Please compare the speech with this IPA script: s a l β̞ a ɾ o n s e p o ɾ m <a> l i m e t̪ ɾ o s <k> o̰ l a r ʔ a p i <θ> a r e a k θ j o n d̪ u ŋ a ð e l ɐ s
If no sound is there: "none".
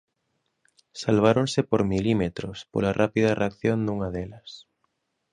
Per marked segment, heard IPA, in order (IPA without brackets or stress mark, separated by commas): i, p, ð